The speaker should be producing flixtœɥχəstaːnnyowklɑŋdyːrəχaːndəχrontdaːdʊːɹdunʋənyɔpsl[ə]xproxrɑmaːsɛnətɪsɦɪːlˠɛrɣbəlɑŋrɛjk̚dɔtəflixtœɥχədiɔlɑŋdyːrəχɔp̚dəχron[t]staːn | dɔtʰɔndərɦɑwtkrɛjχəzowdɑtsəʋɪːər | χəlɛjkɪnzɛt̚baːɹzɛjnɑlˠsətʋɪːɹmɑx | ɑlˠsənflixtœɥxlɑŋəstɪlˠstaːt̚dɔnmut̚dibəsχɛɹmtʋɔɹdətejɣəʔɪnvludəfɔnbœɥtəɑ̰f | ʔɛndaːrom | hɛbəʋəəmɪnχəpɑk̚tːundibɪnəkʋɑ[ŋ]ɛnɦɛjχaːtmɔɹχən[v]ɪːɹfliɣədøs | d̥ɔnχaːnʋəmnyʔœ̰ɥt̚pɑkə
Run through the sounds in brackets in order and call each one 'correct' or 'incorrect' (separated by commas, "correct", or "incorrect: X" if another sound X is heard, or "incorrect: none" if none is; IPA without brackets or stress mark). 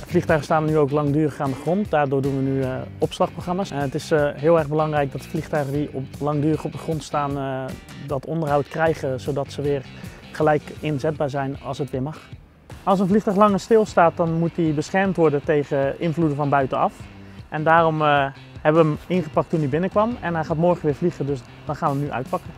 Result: incorrect: ɑ, correct, incorrect: m, incorrect: ʋ